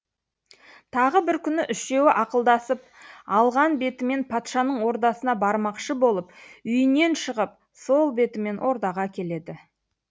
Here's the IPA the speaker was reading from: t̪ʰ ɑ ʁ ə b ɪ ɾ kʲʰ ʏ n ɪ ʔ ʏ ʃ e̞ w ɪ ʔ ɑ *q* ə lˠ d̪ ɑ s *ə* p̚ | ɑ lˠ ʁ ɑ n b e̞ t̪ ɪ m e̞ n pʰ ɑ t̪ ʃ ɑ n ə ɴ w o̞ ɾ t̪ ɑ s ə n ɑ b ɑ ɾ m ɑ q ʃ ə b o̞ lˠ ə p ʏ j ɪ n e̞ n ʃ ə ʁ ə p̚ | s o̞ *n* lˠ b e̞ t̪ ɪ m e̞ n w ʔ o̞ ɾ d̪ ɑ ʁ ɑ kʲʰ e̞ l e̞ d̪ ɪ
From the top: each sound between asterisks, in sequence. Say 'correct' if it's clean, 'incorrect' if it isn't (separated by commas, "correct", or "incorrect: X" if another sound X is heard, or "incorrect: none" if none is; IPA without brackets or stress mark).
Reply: correct, correct, incorrect: none